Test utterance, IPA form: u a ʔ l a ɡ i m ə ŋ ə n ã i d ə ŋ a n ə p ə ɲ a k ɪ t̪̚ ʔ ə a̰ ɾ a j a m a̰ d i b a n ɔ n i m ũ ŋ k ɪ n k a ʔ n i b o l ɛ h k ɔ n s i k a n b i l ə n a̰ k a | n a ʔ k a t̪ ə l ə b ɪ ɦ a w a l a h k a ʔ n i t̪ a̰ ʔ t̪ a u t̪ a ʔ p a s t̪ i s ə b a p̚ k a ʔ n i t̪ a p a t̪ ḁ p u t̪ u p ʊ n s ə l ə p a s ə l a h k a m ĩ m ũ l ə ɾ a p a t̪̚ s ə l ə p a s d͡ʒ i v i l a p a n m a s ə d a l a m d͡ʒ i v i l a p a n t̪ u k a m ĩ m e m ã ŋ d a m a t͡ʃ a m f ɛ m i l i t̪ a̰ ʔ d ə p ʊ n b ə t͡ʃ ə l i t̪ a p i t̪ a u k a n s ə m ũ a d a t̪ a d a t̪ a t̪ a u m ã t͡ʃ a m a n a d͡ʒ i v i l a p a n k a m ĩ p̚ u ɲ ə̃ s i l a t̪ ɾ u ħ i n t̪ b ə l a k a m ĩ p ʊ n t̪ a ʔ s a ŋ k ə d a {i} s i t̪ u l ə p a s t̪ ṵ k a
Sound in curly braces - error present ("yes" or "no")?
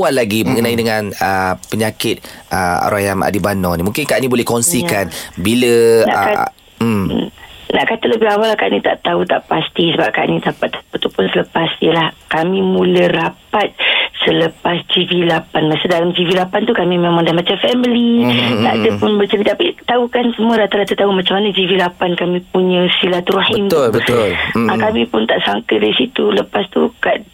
no